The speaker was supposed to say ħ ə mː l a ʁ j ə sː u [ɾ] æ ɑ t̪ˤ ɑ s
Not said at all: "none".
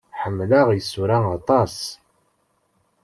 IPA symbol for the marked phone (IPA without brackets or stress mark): ɾ